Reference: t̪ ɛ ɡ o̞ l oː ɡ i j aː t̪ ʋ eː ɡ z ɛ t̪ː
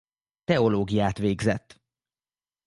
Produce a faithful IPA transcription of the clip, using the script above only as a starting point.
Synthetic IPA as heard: t̪ ɛ o̞ l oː ɡ i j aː t̪ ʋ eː ɡ z ɛ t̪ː